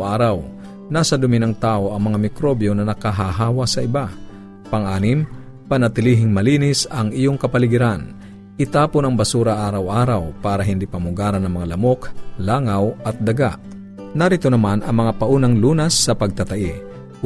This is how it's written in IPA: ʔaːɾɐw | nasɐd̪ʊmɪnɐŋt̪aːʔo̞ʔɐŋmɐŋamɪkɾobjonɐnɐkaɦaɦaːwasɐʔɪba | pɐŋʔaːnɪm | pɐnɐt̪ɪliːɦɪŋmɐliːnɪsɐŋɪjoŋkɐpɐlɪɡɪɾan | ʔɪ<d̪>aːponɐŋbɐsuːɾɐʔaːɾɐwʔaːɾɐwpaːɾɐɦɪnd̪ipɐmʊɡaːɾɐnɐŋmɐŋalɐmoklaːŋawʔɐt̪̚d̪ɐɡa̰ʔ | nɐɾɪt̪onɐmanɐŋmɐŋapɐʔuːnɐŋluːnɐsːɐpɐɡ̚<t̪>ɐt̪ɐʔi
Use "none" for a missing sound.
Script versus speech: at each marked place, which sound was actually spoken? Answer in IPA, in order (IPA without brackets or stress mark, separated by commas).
t̪, t̪